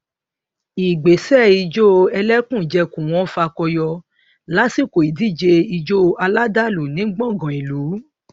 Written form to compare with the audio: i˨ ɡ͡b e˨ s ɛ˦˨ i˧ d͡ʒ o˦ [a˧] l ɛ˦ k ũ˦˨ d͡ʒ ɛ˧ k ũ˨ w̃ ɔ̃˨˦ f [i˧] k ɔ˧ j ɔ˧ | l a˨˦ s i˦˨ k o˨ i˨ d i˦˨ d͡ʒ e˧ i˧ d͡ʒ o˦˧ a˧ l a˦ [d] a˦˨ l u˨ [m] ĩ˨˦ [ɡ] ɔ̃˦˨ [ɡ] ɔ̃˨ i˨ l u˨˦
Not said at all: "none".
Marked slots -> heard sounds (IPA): ɛ˧, a˧, d, n, ɡ͡b, ɡ

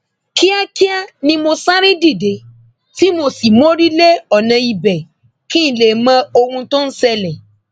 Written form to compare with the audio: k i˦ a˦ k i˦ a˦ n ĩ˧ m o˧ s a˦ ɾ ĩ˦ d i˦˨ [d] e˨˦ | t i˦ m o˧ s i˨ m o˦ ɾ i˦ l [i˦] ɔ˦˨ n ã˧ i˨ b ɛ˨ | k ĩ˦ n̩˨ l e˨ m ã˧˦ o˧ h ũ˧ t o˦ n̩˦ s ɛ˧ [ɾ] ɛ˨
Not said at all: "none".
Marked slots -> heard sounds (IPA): d, e˦, l

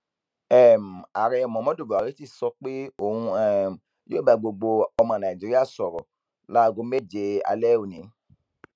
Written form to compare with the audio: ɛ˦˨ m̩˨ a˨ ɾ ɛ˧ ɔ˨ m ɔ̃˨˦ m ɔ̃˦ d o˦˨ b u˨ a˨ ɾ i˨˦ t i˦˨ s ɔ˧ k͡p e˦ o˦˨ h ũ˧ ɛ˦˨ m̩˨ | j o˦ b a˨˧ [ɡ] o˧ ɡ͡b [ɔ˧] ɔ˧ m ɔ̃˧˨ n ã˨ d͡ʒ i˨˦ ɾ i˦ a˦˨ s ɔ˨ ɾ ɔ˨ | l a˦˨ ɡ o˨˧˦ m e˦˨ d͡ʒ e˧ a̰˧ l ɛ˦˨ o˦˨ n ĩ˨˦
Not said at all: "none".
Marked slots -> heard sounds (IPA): ɡ͡b, o˧

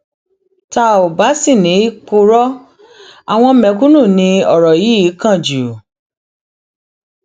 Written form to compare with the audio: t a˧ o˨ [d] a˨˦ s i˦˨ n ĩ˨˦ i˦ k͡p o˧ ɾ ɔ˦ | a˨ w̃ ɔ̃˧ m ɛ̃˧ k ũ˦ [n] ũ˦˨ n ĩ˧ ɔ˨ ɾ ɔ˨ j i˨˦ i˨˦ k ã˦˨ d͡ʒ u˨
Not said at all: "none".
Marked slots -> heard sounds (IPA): b, n

